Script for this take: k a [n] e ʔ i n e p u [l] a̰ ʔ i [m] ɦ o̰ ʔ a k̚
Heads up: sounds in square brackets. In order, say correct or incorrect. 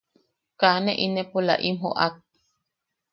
correct, correct, correct

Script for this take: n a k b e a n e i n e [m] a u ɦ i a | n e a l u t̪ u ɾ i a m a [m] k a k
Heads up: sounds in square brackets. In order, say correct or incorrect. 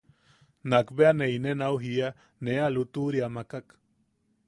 incorrect: n, incorrect: none

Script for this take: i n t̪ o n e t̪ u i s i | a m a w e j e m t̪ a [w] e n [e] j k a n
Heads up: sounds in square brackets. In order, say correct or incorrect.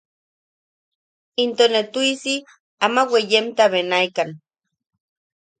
incorrect: β, incorrect: a

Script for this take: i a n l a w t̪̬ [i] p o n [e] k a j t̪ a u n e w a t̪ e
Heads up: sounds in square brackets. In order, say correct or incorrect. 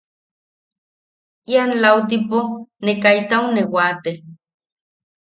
correct, correct

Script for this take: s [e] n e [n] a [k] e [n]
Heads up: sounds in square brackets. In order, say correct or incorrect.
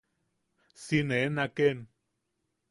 incorrect: i, correct, correct, correct

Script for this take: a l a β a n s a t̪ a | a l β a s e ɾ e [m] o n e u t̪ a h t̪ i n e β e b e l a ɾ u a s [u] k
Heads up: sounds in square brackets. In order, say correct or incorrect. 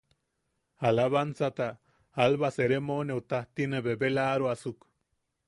correct, correct

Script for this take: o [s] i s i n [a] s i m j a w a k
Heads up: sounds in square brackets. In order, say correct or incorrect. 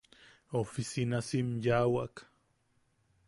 incorrect: f, correct

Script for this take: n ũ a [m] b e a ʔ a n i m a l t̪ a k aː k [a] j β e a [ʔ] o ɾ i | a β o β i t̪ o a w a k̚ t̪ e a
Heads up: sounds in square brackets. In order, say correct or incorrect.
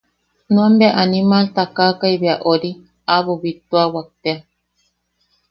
correct, correct, correct

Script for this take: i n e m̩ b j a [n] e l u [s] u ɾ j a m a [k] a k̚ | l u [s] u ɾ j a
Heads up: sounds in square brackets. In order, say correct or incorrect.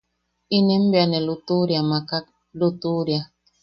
correct, incorrect: t, correct, incorrect: t

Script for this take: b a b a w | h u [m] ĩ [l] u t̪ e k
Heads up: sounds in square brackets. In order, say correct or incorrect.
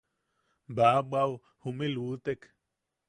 correct, correct

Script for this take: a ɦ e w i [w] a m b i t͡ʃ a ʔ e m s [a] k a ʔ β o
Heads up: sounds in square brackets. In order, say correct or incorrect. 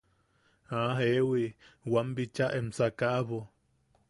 correct, correct

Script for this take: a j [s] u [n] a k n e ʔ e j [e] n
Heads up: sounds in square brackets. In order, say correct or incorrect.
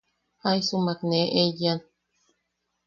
correct, incorrect: m, incorrect: a

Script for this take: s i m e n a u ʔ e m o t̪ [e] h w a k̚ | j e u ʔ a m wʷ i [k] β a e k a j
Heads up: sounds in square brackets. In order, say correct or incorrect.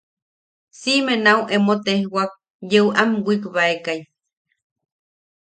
correct, correct

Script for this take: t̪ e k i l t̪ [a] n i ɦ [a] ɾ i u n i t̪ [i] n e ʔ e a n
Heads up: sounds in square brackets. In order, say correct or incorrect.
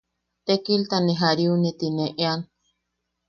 correct, correct, correct

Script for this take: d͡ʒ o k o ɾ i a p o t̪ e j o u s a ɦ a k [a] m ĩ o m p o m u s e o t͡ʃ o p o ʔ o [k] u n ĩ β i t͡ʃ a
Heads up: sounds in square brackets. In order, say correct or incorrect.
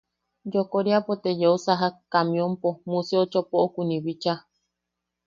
correct, correct

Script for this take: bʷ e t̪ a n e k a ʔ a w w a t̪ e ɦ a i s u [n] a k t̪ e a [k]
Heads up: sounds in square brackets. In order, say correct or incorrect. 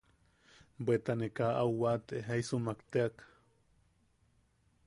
incorrect: m, correct

